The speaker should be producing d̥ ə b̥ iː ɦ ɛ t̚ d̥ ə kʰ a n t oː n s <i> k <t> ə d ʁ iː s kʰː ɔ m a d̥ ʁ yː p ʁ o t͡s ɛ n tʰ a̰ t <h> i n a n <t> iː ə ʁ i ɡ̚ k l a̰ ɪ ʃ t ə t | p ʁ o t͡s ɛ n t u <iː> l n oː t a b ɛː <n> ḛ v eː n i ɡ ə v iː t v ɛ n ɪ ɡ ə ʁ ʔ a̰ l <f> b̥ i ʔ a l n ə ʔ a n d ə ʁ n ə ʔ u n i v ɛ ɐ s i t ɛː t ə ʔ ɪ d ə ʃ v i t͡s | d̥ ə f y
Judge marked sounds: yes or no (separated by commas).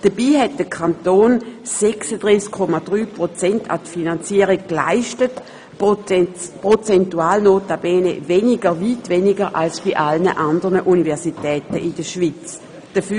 no, no, no, no, no, yes, no